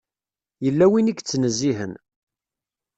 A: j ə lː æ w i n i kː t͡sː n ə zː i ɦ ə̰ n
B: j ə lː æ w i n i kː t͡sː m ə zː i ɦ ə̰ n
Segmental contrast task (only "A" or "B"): A